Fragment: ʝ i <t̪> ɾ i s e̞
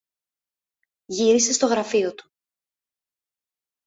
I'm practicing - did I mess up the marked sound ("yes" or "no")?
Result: yes